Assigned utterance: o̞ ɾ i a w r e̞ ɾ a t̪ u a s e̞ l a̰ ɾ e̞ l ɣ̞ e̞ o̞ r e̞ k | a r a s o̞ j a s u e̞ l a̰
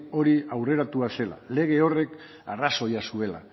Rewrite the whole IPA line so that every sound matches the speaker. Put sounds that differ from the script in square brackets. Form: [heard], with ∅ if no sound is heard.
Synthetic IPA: o̞ ɾ i a w r e̞ ɾ a t̪ u a s e̞ l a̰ [l] e̞ [∅] ɣ̞ e̞ o̞ r e̞ k | a r a s o̞ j a s u e̞ l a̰

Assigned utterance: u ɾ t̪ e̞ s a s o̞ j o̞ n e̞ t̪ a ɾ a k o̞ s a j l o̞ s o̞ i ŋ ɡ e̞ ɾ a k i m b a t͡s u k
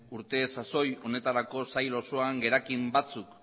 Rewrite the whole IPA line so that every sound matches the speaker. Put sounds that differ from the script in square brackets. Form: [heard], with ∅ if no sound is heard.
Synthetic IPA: u ɾ t̪ e̞ s a s o̞ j o̞ n e̞ t̪ a ɾ a k o̞ s a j l o̞ s o̞ [a] ŋ ɡ e̞ ɾ a k i m b a t͡s u k

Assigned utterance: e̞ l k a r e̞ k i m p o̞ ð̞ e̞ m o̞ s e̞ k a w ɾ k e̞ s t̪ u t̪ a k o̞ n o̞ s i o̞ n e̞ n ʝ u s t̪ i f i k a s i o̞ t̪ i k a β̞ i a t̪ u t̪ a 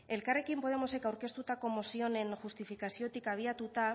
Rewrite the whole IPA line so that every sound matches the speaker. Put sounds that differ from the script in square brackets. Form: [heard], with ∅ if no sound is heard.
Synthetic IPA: e̞ l k a r e̞ k i m p o̞ ð̞ e̞ m o̞ s e̞ k a w ɾ k e̞ s t̪ u t̪ a k o̞ [m] o̞ s i o̞ n e̞ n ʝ u s t̪ i f i k a s i o̞ t̪ i k a β̞ i a t̪ u t̪ a

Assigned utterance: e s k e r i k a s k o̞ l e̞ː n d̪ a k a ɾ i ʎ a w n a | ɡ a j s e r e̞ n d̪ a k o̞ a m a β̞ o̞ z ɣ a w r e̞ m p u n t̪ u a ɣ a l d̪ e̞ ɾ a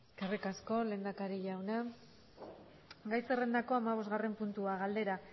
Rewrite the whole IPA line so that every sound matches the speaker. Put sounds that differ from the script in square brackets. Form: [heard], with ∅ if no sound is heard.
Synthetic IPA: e s k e r i k a s k o̞ l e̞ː n d̪ a k a ɾ i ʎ a w n a | ɡ a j s e r e̞ n d̪ a k o̞ a m a β̞ o̞ z ɣ a [∅] r e̞ m p u n t̪ u a ɣ a l d̪ e̞ ɾ a

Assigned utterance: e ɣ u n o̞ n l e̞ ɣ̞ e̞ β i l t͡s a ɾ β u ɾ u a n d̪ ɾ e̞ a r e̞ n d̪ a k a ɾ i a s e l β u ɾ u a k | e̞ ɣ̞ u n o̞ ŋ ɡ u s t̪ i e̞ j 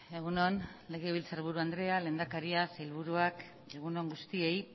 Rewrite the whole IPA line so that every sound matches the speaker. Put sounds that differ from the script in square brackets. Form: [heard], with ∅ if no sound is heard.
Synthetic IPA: e ɣ u n o̞ n l e̞ ɣ̞ e̞ β i l t͡s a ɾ β u ɾ u a n d̪ ɾ e̞ a [l] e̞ n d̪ a k a ɾ i a s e l β u ɾ u a k | e̞ ɣ̞ u n o̞ ŋ ɡ u s t̪ i e̞ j

